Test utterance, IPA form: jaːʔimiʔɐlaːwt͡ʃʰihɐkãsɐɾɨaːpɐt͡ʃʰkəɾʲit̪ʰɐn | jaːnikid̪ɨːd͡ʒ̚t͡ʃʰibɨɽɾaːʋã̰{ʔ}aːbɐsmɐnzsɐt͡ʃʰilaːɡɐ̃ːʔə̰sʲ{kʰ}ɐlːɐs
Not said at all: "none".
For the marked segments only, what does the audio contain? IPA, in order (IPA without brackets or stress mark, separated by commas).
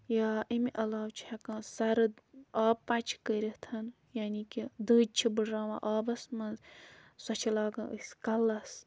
ʔ, k